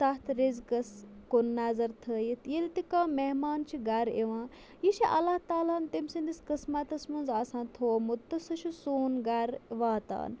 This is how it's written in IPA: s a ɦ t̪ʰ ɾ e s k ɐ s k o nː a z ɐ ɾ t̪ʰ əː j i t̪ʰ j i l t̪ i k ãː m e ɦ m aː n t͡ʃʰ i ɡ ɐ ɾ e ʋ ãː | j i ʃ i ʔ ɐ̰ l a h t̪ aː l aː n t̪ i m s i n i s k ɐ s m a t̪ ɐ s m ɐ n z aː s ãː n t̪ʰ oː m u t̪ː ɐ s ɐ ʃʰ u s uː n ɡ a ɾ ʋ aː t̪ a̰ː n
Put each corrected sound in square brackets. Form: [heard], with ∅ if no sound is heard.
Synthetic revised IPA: s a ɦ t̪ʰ ɾ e [z] k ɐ s k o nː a z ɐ ɾ t̪ʰ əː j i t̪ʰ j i l t̪ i k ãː m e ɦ m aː n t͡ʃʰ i ɡ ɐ ɾ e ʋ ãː | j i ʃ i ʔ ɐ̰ l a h t̪ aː l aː n t̪ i m s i n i s k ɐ s m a t̪ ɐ s m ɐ n z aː s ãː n t̪ʰ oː m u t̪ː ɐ s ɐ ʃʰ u s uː n ɡ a ɾ ʋ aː t̪ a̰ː n